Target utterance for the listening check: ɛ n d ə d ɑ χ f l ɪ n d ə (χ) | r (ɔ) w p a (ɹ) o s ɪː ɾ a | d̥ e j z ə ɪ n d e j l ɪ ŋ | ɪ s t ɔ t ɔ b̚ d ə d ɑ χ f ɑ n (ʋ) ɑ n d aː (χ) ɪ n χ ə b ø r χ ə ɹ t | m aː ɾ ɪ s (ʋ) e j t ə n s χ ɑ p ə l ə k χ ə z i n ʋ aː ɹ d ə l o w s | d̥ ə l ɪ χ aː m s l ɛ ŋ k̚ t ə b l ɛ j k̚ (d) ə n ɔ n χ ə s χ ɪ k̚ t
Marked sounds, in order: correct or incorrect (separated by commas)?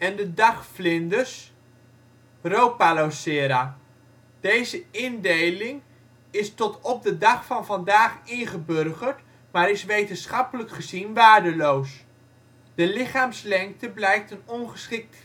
incorrect, incorrect, incorrect, incorrect, correct, correct, incorrect